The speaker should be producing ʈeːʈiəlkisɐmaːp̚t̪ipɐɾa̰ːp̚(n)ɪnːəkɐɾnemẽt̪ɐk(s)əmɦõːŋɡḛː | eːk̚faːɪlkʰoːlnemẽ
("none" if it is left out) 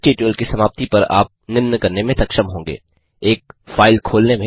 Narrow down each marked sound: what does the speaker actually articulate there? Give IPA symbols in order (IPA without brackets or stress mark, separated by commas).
n, ʃ